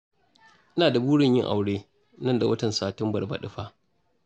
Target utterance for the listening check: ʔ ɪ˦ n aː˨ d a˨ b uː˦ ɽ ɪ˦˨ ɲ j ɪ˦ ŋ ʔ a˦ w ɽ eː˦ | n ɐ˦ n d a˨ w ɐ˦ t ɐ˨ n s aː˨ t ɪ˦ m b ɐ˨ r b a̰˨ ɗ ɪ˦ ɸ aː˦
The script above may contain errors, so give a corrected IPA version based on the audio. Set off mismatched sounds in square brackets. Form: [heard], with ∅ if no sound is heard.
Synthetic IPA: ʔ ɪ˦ n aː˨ d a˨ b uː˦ ɽ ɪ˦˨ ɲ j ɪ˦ ŋ ʔ [a˨] w ɽ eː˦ | n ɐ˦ n d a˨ w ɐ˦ t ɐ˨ n s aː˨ t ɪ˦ m b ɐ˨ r b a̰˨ ɗ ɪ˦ ɸ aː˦